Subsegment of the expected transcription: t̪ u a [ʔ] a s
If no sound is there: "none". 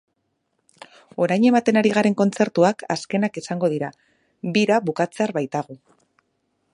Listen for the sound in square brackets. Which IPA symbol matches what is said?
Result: k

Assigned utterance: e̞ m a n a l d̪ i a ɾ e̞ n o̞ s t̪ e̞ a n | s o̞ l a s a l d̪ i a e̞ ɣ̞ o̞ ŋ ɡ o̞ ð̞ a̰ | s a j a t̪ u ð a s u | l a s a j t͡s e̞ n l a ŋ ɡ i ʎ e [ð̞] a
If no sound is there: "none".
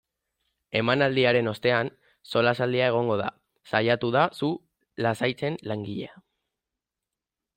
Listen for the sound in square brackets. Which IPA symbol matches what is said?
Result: none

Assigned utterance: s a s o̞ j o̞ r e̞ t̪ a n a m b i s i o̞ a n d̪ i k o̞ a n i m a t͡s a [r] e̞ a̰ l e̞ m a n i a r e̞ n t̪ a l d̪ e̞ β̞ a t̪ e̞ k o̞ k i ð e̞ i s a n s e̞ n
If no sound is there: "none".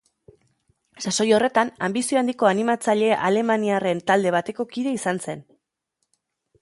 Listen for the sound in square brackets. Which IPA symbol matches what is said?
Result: ʎ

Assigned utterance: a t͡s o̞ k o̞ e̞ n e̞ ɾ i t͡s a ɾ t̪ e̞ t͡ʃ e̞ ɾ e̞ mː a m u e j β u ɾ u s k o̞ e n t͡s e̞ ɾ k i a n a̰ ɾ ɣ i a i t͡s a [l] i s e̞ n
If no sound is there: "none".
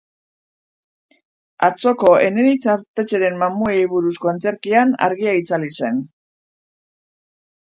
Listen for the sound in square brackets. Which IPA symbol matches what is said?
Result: l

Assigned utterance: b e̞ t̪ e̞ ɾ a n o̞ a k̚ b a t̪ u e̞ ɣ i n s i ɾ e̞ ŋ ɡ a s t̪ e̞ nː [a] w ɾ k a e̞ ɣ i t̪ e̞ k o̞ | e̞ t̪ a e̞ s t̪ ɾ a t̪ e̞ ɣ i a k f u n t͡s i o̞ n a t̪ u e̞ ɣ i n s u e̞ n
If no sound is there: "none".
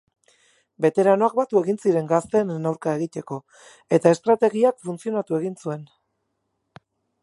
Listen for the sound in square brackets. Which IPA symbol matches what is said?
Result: a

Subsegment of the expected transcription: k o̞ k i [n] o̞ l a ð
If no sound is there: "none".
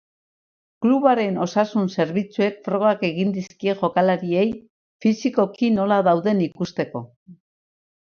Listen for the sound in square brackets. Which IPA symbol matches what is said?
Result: n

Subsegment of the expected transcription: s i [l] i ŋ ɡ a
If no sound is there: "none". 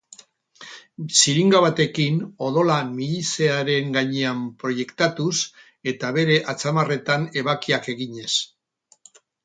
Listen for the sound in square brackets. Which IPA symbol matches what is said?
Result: ɾ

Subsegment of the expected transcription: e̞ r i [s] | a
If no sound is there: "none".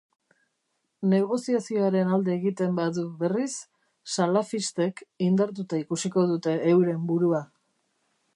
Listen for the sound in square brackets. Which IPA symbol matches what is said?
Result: sː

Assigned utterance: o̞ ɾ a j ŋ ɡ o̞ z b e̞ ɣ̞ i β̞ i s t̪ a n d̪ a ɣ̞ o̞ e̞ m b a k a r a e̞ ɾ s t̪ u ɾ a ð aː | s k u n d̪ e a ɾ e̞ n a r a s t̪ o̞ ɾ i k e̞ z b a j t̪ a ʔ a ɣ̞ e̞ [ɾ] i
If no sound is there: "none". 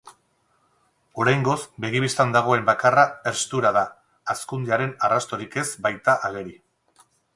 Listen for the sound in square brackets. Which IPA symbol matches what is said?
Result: ɾ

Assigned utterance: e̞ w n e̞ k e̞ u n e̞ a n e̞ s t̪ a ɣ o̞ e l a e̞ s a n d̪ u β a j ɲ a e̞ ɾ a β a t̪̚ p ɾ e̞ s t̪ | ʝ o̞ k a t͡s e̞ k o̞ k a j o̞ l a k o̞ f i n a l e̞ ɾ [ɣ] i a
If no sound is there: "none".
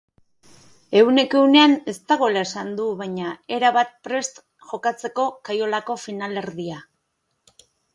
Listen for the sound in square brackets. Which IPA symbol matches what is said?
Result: ð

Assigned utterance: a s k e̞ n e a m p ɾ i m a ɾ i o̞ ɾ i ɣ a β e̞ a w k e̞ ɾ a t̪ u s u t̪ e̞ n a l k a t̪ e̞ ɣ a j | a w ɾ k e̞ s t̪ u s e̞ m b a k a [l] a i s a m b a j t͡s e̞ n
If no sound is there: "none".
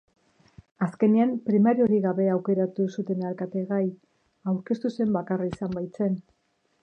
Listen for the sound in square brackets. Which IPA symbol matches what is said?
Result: r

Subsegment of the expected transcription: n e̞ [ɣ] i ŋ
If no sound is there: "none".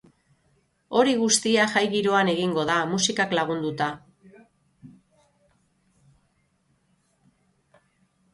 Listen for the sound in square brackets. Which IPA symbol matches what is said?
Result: ɣ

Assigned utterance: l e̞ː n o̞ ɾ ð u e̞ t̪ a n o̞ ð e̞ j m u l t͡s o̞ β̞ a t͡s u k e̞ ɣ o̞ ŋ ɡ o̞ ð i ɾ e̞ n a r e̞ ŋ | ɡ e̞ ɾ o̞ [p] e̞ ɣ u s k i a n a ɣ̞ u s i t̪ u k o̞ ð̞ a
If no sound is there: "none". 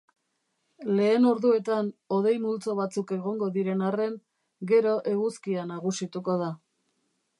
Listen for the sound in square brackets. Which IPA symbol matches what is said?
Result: ʔ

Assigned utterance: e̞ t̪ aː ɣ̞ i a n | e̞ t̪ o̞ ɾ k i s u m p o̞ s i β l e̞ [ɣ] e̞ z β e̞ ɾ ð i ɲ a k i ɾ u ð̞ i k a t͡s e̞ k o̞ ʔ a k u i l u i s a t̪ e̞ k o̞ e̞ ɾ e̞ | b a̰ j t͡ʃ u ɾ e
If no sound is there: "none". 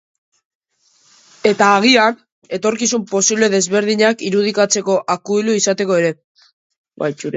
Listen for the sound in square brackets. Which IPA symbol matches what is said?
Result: ð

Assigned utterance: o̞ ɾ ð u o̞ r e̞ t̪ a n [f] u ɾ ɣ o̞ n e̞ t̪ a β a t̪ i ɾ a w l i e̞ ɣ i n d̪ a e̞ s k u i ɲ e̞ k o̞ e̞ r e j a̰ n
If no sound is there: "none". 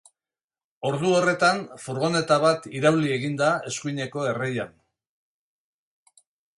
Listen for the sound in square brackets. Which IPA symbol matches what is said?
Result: f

